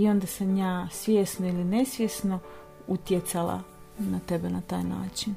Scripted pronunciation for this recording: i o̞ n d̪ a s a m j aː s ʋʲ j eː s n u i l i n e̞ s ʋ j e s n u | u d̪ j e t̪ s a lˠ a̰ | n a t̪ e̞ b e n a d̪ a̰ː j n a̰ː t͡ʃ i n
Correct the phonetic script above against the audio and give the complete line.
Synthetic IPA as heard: i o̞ n d̪ a s a m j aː s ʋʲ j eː s n o i l i n e̞ s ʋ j e s n o | u t̪ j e t̪ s a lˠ a̰ | n a t̪ e̞ b e n a t̪ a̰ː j n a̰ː t͡ʃ i n